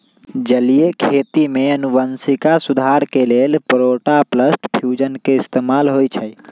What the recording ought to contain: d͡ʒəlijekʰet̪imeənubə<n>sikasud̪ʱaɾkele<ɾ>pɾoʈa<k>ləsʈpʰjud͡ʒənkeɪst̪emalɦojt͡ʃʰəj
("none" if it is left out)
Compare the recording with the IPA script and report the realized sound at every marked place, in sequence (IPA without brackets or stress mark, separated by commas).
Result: n, l, p